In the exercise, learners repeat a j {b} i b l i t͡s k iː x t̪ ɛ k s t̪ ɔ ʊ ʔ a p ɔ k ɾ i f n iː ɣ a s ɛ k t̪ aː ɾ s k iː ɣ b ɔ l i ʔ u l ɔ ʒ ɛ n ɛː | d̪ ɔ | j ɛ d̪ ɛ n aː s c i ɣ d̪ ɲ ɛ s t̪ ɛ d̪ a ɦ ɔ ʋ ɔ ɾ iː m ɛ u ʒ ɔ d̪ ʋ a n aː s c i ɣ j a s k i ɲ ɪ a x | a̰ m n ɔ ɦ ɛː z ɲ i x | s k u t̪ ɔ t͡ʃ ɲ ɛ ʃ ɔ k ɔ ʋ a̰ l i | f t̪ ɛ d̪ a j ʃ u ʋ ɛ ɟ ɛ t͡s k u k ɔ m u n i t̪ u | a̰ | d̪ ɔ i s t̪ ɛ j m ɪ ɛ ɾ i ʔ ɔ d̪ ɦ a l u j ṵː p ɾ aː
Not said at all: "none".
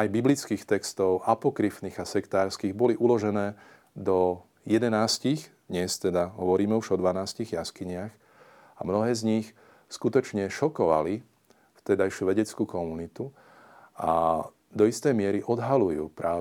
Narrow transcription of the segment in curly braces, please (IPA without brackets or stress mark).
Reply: b